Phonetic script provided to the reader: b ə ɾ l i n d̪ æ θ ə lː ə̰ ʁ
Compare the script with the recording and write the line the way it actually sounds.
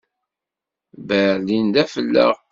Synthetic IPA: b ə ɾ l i n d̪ æ f ə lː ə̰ ʁ